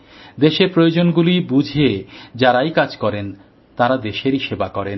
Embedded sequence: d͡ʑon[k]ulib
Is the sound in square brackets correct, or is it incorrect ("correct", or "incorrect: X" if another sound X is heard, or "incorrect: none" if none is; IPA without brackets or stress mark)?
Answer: incorrect: ɡ